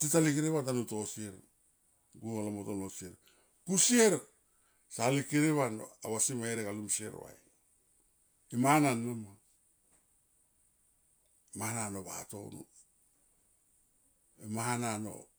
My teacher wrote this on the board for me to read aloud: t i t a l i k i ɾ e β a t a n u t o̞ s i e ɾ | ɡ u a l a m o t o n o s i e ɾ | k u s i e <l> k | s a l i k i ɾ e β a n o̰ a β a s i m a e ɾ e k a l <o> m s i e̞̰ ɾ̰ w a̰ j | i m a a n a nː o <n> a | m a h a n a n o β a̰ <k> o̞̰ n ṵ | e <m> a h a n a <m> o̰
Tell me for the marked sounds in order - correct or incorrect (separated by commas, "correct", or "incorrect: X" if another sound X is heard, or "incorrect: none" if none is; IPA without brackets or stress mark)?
incorrect: ɾ, incorrect: u, incorrect: m, incorrect: t, correct, incorrect: n